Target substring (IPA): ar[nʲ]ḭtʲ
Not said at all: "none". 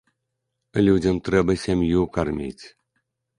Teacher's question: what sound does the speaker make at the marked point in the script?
mʲ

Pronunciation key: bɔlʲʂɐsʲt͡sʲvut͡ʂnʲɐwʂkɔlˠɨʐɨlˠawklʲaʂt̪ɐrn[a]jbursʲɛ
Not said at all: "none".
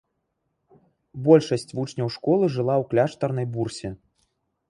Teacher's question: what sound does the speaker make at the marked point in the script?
ɐ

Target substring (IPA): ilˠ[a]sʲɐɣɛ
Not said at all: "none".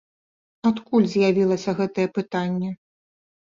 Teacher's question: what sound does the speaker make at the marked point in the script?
ɐ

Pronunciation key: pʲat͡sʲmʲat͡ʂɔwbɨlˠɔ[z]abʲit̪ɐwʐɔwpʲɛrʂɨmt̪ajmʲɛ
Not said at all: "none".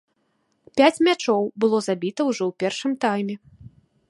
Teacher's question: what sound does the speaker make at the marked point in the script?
z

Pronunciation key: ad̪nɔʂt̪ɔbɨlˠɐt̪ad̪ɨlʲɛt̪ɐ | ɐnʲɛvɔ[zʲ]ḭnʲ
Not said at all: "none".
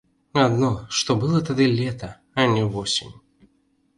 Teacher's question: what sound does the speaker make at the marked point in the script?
sʲ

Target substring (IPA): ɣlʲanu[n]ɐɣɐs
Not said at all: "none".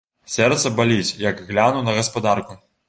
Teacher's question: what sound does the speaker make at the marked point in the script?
n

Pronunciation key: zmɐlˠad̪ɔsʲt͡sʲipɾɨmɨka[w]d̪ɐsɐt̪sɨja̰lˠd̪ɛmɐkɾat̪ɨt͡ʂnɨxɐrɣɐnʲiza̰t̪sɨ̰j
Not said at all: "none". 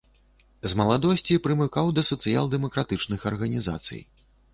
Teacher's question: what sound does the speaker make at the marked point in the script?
w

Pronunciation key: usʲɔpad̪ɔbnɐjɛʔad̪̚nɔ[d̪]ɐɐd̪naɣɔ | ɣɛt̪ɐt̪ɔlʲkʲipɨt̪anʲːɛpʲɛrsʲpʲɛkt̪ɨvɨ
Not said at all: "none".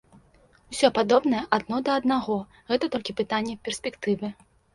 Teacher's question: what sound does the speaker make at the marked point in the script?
d̪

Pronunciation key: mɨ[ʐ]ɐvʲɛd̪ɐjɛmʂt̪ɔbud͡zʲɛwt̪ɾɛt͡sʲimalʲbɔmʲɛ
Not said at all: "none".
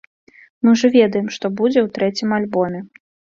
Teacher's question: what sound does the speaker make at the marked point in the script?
ʐ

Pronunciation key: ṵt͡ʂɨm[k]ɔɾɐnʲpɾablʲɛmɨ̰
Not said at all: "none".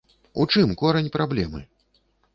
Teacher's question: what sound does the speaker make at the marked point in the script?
k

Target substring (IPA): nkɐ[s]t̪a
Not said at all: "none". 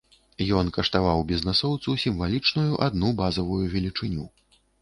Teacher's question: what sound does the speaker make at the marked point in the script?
ʂ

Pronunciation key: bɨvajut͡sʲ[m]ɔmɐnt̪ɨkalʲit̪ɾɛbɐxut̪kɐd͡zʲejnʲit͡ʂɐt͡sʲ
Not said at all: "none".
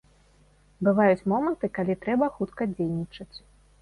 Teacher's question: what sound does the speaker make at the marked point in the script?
m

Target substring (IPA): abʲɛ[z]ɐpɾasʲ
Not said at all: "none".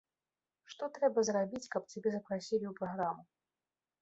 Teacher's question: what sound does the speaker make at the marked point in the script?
z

